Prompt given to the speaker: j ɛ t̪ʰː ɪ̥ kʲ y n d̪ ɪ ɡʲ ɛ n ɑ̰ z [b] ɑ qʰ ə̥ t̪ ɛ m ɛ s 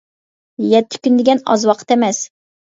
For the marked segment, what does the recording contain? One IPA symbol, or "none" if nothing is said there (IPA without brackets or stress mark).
w